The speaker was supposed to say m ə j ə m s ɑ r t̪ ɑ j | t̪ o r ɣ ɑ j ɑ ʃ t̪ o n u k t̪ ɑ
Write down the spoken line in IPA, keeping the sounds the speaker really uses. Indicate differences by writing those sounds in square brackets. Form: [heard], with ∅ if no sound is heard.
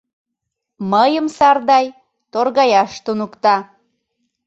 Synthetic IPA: m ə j ə m s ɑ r [d̪] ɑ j | t̪ o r ɣ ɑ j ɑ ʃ t̪ [u] n u k t̪ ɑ